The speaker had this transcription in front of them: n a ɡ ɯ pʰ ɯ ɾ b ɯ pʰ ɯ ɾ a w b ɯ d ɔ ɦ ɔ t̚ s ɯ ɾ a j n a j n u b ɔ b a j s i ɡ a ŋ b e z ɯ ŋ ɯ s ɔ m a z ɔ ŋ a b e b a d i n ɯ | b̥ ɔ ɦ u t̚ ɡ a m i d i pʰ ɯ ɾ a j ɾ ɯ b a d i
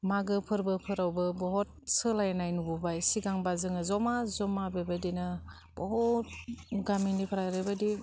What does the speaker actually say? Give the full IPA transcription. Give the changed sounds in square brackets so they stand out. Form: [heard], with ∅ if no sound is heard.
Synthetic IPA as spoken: [m] a ɡ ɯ pʰ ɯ ɾ b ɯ pʰ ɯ ɾ a w b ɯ [b] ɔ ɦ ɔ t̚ s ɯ [l] a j n a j n u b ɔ b a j s i ɡ a ŋ b [a] z ɯ ŋ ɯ [z] ɔ m a z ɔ [m] a b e b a d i n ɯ | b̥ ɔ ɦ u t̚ ɡ a m i [n] i pʰ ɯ ɾ a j ɾ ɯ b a d i